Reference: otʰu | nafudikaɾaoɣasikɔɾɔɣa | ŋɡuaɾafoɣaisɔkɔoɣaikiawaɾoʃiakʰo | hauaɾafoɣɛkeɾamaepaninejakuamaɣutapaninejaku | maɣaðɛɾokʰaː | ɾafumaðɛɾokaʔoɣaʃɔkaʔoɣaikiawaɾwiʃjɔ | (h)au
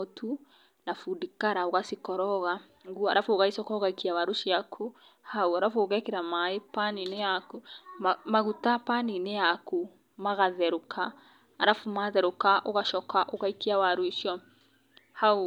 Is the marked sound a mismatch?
no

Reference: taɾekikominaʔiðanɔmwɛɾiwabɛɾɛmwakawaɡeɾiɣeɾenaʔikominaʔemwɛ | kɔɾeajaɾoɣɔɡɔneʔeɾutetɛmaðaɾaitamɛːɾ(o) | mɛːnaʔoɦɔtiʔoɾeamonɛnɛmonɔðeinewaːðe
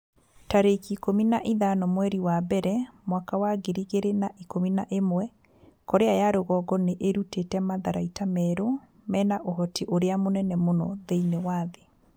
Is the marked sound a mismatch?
no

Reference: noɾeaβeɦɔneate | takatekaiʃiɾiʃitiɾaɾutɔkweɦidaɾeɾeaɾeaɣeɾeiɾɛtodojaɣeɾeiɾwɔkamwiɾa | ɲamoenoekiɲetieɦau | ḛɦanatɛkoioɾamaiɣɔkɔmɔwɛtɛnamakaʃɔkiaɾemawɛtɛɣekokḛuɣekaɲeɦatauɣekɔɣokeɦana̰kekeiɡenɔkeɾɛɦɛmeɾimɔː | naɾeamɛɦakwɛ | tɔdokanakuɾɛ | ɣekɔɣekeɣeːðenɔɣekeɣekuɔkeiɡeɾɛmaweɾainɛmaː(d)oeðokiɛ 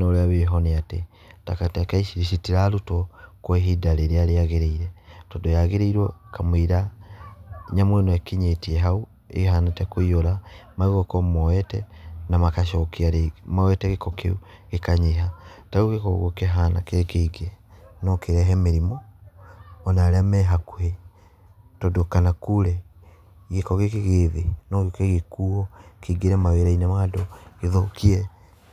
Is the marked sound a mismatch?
no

